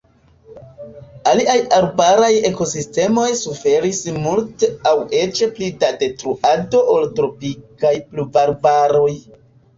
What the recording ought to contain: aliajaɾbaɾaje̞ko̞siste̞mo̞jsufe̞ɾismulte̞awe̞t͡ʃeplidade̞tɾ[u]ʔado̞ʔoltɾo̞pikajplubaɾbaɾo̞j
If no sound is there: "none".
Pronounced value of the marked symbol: u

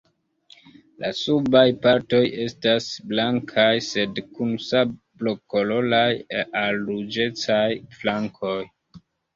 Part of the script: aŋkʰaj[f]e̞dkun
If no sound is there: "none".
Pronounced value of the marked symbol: s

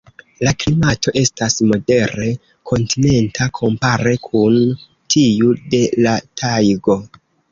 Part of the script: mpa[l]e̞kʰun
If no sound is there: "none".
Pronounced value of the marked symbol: ɾ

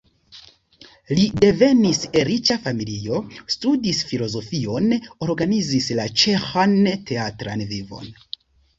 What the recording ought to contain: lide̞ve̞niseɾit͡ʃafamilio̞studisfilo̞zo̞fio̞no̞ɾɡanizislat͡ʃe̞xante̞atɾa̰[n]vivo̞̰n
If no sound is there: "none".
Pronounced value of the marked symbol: n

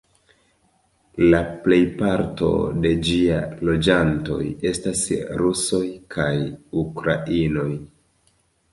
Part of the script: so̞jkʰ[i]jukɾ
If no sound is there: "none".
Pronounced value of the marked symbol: a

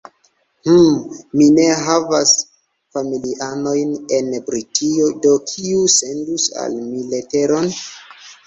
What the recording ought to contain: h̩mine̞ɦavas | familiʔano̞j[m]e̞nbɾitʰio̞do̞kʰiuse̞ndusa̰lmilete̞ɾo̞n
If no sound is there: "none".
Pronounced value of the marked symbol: n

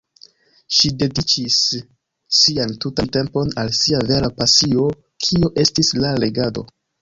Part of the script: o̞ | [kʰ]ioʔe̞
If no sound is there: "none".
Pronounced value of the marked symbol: kʰ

